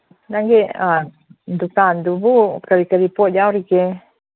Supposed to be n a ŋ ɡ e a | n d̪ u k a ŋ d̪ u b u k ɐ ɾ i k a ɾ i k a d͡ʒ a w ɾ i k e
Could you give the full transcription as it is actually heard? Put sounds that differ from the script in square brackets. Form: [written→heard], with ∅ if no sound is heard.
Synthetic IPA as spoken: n a ŋ ɡ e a | n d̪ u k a [ŋ→n] d̪ u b u k [ɐ→a] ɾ i k a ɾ i [k→p] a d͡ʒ a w ɾ i k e